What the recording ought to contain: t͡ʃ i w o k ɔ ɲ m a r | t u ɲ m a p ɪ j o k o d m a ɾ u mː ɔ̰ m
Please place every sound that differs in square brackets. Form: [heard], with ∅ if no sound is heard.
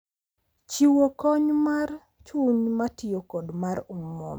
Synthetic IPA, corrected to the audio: t͡ʃ i w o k ɔ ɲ m a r | [t͡ʃ] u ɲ m a [t] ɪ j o k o d m a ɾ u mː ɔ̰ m